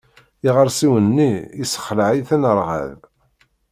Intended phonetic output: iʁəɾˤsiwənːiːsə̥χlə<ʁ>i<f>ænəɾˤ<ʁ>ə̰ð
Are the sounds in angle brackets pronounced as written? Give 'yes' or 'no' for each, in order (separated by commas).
no, no, yes